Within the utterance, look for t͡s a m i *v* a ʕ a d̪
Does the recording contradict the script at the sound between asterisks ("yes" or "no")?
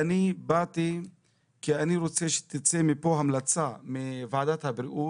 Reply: no